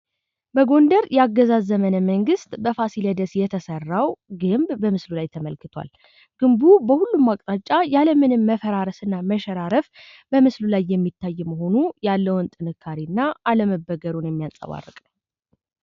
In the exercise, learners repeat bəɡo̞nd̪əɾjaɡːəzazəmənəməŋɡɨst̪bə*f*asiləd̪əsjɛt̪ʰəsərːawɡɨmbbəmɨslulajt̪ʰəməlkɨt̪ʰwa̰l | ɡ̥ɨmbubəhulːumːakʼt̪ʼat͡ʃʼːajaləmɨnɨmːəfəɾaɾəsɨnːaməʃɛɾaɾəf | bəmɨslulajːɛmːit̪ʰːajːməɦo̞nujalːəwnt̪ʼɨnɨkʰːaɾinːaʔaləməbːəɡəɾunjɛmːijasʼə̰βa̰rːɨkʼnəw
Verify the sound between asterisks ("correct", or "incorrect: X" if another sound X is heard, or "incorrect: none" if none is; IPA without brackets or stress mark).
correct